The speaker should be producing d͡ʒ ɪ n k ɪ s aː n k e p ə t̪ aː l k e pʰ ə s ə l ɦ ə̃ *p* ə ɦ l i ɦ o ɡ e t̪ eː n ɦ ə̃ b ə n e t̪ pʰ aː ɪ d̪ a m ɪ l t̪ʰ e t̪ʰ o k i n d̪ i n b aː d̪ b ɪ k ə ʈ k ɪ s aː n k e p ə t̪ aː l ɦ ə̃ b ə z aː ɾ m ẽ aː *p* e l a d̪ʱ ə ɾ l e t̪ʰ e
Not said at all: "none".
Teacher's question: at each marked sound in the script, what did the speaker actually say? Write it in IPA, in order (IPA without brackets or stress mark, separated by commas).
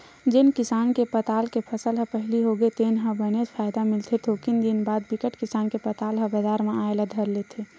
p, none